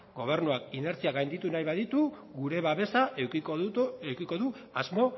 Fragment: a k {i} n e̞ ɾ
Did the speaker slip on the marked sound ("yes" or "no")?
no